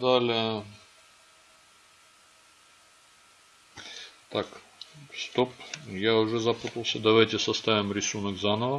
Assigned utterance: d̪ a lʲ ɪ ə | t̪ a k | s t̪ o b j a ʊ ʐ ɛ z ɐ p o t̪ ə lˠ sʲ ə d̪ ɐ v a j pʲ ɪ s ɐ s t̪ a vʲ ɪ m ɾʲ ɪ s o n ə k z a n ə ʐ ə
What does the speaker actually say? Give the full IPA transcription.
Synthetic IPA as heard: d̪ a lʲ ɪ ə | t̪ a k | s t̪ o p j a ʊ ʐ ɛ z ɐ p u t̪ ə lˠ sʲ ə d̪ ɐ v a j tʲ ɪ s ɐ s t̪ a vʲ ɪ m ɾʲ ɪ s u n ə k z a n ə v ə